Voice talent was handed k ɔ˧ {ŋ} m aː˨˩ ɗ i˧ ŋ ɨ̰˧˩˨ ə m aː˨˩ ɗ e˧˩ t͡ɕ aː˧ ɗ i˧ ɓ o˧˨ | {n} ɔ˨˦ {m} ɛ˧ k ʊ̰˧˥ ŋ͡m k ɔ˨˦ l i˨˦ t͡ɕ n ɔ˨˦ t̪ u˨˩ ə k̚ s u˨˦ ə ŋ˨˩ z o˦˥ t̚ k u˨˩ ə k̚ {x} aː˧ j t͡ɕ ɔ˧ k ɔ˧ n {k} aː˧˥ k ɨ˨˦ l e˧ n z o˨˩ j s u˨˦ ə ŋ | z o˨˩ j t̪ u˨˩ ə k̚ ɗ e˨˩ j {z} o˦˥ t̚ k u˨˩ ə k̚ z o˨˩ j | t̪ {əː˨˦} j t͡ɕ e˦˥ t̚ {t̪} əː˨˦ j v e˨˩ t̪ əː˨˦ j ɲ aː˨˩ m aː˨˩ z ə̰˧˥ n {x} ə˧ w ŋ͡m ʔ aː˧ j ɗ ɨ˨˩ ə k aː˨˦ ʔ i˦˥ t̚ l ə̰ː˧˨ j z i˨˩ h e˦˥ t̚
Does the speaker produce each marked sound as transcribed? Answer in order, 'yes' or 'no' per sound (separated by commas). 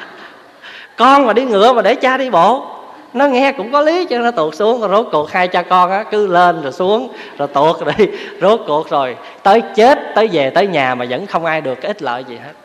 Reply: no, yes, no, no, no, yes, yes, yes, yes